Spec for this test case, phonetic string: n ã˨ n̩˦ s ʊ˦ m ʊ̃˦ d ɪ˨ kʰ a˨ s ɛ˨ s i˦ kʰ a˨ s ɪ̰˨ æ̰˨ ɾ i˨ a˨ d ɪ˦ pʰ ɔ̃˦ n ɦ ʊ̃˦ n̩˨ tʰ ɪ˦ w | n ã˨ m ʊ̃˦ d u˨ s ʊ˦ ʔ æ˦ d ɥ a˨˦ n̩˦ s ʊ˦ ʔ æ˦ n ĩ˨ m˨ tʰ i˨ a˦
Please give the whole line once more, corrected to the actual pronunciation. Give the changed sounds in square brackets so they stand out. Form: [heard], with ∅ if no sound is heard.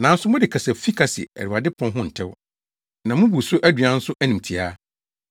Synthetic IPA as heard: n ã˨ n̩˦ s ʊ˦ m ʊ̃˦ d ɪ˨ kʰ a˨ s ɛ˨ [f] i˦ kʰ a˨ s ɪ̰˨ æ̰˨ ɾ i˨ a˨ d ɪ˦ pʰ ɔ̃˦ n ɦ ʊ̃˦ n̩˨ tʰ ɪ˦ w | n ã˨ m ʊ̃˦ [b] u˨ s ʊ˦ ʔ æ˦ d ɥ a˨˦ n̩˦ s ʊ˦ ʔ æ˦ n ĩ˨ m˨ tʰ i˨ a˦